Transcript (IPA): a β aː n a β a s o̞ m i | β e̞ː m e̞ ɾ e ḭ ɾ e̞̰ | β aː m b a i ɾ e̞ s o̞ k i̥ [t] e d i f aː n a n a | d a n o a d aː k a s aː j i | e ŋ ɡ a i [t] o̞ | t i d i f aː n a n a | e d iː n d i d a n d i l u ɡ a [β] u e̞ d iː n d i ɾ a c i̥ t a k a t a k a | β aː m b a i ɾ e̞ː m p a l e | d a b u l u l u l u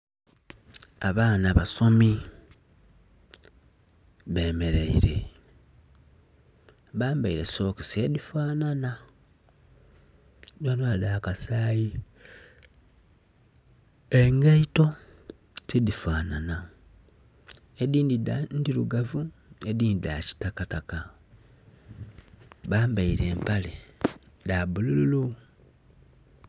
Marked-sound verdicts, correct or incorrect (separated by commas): incorrect, correct, incorrect